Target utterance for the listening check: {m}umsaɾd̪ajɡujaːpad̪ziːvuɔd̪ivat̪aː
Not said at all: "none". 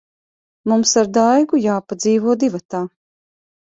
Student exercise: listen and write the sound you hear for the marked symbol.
m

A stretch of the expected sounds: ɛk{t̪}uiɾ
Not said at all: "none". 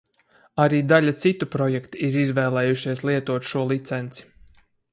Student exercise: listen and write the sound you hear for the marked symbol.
t̪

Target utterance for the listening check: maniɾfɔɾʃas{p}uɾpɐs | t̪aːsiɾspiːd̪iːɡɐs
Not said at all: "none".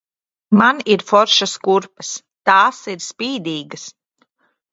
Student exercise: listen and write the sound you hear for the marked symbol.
k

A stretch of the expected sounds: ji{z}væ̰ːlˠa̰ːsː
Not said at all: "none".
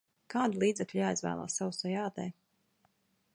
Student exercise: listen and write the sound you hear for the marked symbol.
z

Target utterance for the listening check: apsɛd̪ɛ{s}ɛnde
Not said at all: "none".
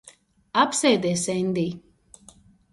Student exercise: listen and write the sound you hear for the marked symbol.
s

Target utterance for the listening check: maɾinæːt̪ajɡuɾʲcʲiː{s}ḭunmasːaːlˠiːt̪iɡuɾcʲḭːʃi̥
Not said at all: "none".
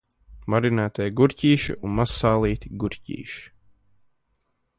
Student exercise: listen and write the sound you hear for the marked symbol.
ʃ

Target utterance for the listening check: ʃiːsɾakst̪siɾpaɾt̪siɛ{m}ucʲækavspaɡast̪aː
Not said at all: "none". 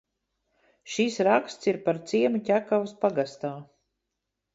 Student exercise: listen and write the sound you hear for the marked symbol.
m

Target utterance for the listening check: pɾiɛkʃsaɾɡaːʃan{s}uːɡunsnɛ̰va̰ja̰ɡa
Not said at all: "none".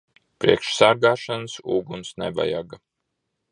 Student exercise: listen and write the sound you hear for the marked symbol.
s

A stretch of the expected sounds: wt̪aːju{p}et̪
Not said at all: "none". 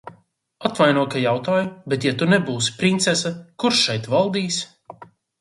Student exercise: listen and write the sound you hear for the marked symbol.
b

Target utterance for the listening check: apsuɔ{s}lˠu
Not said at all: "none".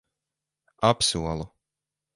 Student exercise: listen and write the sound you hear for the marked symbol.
none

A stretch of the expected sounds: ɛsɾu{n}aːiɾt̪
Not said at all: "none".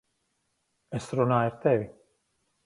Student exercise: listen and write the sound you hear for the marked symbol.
n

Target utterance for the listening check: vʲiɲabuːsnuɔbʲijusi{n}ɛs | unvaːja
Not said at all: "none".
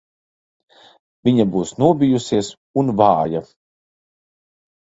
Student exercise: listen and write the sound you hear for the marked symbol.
none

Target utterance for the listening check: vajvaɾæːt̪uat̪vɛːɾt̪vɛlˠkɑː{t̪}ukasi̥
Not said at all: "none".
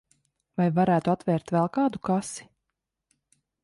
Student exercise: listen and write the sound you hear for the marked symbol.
d̪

